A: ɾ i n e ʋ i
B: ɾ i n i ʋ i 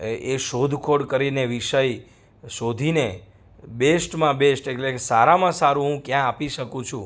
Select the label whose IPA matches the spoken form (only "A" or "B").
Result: A